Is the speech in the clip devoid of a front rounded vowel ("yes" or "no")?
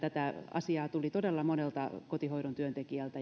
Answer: no